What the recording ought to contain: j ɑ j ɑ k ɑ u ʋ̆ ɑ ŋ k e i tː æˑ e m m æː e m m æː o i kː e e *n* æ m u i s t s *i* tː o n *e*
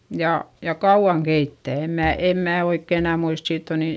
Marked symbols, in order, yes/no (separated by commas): yes, no, no